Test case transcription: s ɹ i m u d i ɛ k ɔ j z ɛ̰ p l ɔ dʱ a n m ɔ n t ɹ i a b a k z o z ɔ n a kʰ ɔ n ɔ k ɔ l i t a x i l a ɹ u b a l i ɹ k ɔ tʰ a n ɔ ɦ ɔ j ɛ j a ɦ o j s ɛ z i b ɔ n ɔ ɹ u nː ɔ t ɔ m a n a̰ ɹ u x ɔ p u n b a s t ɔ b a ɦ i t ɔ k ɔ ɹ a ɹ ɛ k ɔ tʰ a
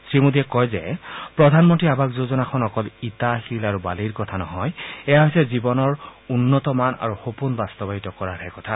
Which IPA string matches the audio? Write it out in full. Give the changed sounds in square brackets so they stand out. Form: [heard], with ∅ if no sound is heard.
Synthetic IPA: s ɹ i m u d i ɛ k ɔ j z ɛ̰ p [ɹ] ɔ dʱ a n m ɔ n t ɹ i a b a k z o z ɔ n a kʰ ɔ n ɔ k ɔ l i t a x i l a ɹ u b a l i ɹ k ɔ tʰ a n ɔ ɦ ɔ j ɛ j a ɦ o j s ɛ z i b ɔ n ɔ ɹ u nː ɔ t ɔ m a n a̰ ɹ u x [o] p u n b a s t ɔ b a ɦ i t ɔ k ɔ ɹ a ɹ ɛ k ɔ tʰ a